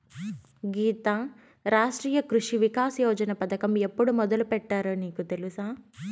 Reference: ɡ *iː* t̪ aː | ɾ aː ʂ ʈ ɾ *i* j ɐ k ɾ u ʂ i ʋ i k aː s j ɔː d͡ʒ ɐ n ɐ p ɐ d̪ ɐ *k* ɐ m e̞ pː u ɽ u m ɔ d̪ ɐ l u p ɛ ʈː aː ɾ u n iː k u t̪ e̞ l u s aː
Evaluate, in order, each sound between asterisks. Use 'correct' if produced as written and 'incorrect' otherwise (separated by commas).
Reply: correct, incorrect, correct